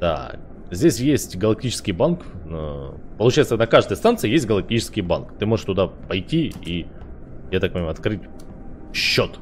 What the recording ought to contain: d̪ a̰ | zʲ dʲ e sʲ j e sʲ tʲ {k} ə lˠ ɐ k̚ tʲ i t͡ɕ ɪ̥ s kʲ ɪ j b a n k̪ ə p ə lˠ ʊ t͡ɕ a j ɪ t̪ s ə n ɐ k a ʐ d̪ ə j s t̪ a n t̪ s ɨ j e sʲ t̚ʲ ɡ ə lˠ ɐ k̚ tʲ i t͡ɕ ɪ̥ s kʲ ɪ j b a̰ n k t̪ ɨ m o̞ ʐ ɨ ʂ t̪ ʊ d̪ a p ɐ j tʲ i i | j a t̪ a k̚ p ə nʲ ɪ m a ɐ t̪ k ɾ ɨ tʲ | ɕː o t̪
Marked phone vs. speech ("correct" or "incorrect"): incorrect